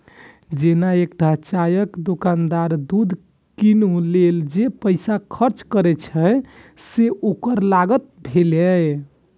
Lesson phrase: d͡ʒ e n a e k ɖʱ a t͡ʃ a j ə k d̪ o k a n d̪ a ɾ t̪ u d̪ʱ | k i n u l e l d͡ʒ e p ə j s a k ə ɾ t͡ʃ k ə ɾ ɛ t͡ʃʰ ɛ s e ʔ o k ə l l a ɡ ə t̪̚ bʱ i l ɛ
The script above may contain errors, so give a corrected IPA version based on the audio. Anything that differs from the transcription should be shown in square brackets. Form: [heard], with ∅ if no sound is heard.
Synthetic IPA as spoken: d͡ʒ e n a e k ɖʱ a t͡ʃ a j ə k d̪ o k a n d̪ a ɾ [d̪] u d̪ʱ | k i n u l e l d͡ʒ e p ə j s a [kʰ] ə ɾ t͡ʃ k ə ɾ ɛ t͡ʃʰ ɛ s e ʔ o k ə [ɾ] l a ɡ ə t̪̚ bʱ [e] l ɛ